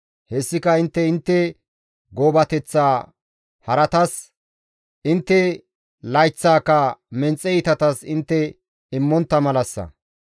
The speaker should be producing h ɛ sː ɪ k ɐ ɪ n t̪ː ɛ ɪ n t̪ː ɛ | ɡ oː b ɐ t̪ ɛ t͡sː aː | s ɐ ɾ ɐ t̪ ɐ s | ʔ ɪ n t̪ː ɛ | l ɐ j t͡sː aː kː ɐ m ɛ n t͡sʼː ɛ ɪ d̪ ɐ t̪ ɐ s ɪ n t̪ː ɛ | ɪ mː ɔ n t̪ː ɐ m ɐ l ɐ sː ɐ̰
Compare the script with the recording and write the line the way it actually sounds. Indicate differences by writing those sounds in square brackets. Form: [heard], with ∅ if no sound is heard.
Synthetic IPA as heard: h ɛ sː ɪ k ɐ ɪ n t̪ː ɛ ɪ n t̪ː ɛ | ɡ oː b ɐ t̪ ɛ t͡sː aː | [h] ɐ ɾ ɐ t̪ ɐ s | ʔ ɪ n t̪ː ɛ | l ɐ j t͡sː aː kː ɐ m ɛ n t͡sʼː ɛ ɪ [t̪] ɐ t̪ ɐ s ɪ n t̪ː ɛ | ɪ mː ɔ n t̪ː ɐ m ɐ l ɐ sː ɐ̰